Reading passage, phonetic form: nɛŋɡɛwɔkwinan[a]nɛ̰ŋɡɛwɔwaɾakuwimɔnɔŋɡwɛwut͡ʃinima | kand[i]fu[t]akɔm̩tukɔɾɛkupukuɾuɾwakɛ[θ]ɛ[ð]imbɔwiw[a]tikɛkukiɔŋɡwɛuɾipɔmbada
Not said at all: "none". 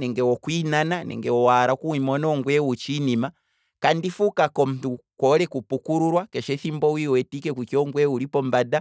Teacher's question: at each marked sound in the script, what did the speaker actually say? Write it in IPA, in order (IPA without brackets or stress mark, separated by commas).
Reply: a, i, k, ʃ, θ, ɛ